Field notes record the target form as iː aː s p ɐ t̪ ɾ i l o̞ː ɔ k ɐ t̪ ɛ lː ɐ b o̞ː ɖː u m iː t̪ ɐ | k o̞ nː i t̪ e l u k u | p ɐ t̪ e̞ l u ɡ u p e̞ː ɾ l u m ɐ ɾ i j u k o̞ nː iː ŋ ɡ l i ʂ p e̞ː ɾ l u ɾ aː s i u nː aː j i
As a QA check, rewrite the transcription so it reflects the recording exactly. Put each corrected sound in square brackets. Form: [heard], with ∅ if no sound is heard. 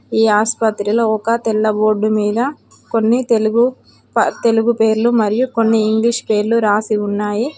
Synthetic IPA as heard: iː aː s p ɐ t̪ ɾ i l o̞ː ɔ k ɐ t̪ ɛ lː ɐ b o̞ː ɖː u m iː [d̪] ɐ | k o̞ nː i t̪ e l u [ɡ] u | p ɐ t̪ e̞ l u ɡ u p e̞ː ɾ l u m ɐ ɾ i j u k o̞ nː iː ŋ ɡ l i ʂ p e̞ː ɾ l u ɾ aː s i u nː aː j i